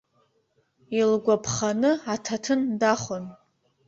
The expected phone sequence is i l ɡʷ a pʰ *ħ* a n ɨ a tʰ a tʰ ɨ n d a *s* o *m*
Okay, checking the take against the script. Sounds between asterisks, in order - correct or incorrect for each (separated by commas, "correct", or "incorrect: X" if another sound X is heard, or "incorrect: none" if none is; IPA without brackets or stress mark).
incorrect: χ, incorrect: χ, incorrect: n